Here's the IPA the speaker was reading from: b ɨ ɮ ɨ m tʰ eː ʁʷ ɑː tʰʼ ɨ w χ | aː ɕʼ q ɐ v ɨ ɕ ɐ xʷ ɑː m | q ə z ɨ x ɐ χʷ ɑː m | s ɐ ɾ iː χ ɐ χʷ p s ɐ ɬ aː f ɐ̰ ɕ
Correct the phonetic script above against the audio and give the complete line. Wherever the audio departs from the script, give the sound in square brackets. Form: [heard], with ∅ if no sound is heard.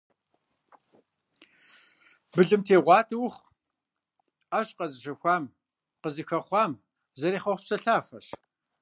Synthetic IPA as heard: b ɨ ɮ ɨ m tʰ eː ʁʷ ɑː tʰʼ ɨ w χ | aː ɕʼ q ɐ [z] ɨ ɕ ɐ xʷ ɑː m | q ə z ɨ x ɐ χʷ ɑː m | [z] ɐ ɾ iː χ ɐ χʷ p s ɐ ɬ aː f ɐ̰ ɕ